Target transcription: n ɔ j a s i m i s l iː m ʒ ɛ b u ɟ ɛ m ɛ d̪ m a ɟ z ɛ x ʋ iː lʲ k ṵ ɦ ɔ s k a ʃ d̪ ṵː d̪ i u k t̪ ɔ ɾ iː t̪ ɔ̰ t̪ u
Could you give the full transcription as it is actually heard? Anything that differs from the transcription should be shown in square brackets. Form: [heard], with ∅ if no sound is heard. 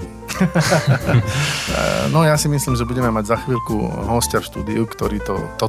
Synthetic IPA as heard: n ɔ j a s i m i s l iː m ʒ ɛ b u ɟ ɛ m ɛ [∅] m a ɟ z [a] x ʋ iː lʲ k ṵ ɦ ɔ s [c] a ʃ [t̪] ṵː d̪ i u k t̪ ɔ ɾ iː t̪ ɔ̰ t̪ [ɔ]